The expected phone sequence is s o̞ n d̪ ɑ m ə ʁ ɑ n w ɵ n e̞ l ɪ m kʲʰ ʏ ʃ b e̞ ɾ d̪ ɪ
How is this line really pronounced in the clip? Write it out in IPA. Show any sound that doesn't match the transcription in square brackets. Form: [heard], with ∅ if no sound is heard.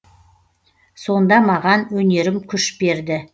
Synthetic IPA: s o̞ n d̪ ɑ m [ɑ] ʁ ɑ n w ɵ n e̞ [ɾ] ɪ m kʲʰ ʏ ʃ b e̞ ɾ d̪ ɪ